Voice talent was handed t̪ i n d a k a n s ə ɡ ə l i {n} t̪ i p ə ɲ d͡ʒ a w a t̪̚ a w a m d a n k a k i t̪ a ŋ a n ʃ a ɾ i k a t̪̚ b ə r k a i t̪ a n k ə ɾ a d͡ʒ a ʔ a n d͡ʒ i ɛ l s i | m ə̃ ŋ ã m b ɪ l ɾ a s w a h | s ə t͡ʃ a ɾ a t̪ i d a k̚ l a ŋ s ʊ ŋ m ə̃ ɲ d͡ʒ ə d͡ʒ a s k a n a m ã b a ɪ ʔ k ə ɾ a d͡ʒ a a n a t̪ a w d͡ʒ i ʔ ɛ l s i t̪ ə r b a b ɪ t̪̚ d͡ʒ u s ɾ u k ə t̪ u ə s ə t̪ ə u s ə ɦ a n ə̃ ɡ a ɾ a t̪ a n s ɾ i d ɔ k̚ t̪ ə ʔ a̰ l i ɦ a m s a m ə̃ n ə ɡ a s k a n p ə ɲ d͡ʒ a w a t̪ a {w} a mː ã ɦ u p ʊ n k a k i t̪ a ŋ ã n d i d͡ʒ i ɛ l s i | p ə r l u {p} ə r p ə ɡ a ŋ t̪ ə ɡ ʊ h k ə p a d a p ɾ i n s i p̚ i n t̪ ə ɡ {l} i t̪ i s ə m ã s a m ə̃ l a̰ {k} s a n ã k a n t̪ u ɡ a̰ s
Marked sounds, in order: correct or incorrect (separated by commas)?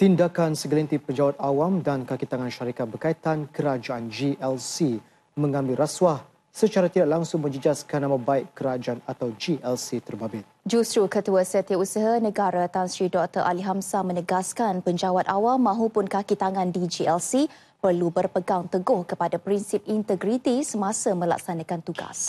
correct, correct, incorrect, incorrect, correct